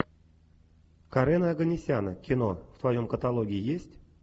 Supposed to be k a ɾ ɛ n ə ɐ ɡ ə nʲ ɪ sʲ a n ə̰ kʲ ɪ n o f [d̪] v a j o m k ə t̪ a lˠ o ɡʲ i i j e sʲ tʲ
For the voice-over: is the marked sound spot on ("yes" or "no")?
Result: no